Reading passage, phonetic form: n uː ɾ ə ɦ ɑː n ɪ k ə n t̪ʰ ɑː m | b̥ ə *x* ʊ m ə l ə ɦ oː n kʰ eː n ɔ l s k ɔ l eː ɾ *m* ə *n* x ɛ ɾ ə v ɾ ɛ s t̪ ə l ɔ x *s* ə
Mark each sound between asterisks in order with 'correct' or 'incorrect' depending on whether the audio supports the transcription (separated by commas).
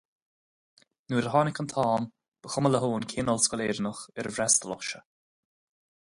correct, incorrect, incorrect, incorrect